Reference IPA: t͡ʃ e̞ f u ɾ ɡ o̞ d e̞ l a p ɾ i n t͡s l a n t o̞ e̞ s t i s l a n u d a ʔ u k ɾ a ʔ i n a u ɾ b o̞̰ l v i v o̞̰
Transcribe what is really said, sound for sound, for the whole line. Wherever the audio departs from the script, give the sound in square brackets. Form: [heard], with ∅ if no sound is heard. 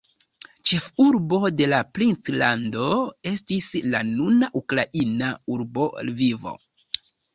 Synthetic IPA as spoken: t͡ʃ e̞ f u ɾ [b] o̞ d e̞ l a p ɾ i n t͡s l a n [d] o̞ e̞ s t i s l a n u [n] a ʔ u k ɾ a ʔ i n a u ɾ b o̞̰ l v i v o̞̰